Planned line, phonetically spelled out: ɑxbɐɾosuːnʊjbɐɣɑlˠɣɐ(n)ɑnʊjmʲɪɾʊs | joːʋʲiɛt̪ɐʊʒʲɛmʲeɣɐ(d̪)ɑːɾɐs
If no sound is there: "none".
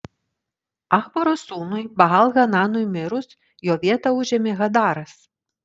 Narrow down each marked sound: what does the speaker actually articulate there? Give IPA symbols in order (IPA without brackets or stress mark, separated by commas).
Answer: n, d̪